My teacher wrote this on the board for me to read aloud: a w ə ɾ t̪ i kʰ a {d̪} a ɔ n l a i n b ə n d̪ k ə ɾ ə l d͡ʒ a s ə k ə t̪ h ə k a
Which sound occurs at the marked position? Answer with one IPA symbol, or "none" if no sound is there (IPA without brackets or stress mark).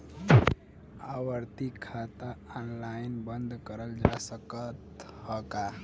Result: t̪